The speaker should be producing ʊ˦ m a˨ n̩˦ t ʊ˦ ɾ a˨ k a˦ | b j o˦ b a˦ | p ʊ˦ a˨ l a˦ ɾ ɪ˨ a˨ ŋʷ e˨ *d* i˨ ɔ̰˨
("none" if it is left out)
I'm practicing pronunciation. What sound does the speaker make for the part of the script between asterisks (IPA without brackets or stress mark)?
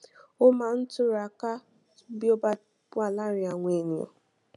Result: n